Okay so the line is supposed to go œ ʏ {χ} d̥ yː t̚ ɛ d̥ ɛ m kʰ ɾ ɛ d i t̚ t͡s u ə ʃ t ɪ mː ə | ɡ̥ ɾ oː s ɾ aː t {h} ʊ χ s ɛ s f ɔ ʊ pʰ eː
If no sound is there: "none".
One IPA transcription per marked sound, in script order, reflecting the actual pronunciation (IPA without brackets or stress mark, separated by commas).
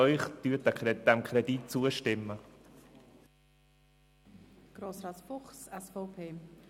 χ, f